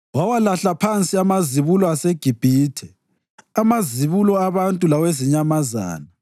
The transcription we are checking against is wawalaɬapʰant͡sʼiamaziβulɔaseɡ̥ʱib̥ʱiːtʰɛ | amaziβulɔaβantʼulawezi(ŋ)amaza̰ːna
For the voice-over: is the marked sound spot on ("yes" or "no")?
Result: no